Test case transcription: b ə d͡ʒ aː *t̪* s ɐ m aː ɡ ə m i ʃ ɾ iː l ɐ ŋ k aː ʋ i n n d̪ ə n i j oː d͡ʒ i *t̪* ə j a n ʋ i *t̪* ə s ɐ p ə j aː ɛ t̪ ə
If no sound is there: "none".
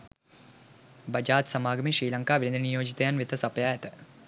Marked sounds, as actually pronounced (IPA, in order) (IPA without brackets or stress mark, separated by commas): t̪, t̪, t̪